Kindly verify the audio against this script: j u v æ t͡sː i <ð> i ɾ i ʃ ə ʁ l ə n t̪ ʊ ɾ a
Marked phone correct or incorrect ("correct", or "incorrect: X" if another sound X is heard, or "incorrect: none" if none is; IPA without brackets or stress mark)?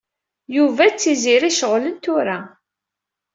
incorrect: z